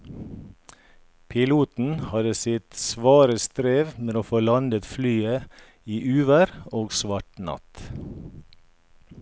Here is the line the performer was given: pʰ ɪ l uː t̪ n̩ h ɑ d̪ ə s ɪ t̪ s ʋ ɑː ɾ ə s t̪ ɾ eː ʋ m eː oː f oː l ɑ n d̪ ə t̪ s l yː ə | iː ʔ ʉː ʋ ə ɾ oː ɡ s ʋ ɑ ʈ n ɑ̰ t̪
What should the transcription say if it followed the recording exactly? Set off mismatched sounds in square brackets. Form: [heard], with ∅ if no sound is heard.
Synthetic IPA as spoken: pʰ ɪ l uː t̪ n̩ h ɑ d̪ ə s ɪ t̪ s ʋ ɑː ɾ ə s t̪ ɾ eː ʋ m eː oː f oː l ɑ n d̪ ə t̪ [f] l yː ə | iː ʔ ʉː ʋ ə ɾ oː ɡ s ʋ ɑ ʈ n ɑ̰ t̪